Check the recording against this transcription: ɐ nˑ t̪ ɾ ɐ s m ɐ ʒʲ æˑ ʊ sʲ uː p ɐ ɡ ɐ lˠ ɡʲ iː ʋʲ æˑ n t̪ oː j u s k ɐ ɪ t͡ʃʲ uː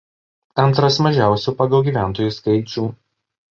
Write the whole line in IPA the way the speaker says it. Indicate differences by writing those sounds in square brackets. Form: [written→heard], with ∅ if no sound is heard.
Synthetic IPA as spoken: ɐ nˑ t̪ ɾ ɐ s m ɐ ʒʲ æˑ ʊ sʲ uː p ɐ ɡ ɐ lˠ ɡʲ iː ʋʲ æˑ n t̪ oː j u s k ɐ ɪ t͡ʃʲ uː